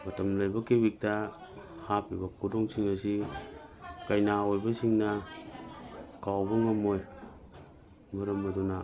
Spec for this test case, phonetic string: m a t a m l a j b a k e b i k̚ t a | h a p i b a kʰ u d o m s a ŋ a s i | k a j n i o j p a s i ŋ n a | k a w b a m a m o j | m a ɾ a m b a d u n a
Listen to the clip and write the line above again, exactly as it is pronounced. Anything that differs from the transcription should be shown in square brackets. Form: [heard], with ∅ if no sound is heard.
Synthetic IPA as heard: m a t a m l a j b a k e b i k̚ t a | h a p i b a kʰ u d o [ŋ] s [i] ŋ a s i | k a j n [a] o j [b] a s i ŋ n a | k a w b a [ŋ] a m o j | m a ɾ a m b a d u n a